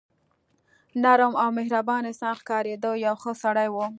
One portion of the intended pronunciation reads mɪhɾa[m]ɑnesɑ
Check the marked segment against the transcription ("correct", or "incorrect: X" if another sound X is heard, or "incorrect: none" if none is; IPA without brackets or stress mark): incorrect: b